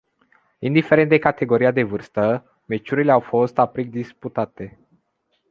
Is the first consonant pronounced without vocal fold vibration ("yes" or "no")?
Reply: no